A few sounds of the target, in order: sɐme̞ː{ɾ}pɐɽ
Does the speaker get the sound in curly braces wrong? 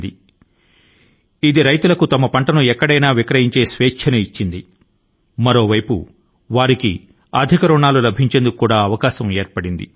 no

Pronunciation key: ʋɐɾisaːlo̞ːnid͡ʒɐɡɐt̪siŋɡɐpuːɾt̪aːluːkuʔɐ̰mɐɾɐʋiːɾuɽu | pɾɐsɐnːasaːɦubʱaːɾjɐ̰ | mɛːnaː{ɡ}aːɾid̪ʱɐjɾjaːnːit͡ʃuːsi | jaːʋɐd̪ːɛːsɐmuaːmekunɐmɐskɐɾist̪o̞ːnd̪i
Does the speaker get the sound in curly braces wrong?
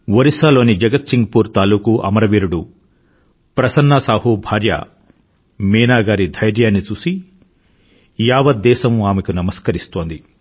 no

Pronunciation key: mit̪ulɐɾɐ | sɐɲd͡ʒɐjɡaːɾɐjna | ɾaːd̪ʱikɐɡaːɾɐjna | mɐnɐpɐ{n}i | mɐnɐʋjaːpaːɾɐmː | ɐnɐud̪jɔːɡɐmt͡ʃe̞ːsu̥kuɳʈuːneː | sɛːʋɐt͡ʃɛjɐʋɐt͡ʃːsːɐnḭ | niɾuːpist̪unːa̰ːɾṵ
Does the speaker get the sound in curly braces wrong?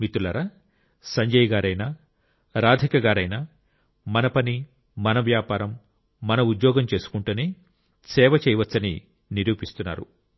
no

